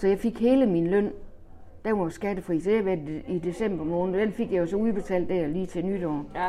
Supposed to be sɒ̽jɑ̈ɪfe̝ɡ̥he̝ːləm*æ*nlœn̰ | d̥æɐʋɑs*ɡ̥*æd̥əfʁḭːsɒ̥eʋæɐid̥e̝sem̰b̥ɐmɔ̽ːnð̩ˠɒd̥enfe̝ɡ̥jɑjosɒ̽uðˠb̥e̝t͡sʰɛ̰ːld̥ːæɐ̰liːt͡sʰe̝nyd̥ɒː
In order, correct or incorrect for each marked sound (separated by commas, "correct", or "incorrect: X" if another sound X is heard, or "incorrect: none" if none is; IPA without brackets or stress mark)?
incorrect: i, correct